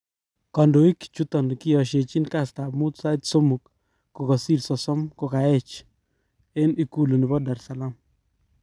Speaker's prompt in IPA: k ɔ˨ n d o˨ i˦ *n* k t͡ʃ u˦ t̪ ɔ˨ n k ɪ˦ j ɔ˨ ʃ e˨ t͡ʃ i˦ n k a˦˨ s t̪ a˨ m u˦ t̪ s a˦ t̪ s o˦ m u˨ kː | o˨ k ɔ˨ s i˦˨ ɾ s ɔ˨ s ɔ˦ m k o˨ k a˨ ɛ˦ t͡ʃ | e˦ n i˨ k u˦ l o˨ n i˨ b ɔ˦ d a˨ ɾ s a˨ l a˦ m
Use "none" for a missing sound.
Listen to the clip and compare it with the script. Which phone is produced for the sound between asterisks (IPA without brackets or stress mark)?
none